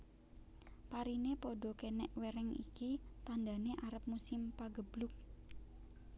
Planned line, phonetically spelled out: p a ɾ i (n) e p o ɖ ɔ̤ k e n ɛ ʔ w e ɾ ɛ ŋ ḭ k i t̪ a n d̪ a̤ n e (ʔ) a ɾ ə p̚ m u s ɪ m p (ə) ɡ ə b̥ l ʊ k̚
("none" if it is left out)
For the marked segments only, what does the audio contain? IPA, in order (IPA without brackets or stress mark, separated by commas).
n, ʔ, a